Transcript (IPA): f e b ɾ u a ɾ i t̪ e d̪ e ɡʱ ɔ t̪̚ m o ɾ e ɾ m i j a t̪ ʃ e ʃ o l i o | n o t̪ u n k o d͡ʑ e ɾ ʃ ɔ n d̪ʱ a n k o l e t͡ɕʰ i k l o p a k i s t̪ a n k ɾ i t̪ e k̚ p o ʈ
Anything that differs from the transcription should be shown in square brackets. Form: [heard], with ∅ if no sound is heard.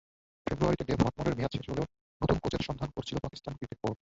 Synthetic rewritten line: f e b ɾ u a ɾ i t̪ e d̪ e [bʱ] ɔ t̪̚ m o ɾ e ɾ m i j a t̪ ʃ e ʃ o l [e] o | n o t̪ u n k o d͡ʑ e ɾ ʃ ɔ n d̪ʱ a n k o [ɾ] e t͡ɕʰ i [∅] l o p a k i s t̪ a n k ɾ i t̪ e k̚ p o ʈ